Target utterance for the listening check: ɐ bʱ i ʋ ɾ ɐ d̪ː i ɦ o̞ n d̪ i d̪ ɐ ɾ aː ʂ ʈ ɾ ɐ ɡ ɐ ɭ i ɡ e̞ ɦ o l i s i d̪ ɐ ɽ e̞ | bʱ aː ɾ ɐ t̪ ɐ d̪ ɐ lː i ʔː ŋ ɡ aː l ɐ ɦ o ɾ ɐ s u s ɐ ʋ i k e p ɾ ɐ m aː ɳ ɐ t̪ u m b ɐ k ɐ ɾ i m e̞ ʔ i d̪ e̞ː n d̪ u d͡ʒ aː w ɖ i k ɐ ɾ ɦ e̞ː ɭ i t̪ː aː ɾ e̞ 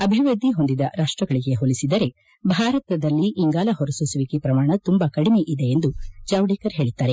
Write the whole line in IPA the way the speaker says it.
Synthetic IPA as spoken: ɐ bʱ i ʋ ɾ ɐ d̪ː i ɦ o̞ n d̪ i d̪ ɐ ɾ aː ʂ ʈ ɾ ɐ ɡ ɐ ɭ i ɡ e̞ ɦ o l i s i d̪ ɐ ɾ e̞ | bʱ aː ɾ ɐ t̪ ɐ d̪ ɐ lː i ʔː ŋ ɡ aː l ɐ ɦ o ɾ ɐ s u s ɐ ʋ i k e p ɾ ɐ m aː ɳ ɐ t̪ u m b ɐ k ɐ ɽ i m e̞ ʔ i d̪ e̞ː n d̪ u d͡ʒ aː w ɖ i k ɐ ɾ ɦ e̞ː ɭ i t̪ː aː ɾ e̞